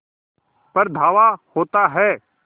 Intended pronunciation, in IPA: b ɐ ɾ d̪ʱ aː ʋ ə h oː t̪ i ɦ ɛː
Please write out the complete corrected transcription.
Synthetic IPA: p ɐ ɾ d̪ʱ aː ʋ a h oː t̪ a ɦ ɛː